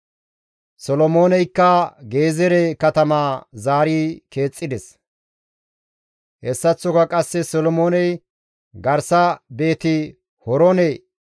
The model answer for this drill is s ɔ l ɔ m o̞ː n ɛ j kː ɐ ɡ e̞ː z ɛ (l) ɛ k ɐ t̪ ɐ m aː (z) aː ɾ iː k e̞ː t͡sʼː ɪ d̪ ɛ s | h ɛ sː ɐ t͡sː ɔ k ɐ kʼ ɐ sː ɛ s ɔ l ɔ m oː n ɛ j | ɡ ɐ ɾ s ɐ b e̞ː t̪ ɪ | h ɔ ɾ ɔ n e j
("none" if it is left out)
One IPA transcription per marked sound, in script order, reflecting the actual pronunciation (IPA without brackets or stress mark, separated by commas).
ɾ, z